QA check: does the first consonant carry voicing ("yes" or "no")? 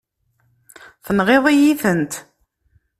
no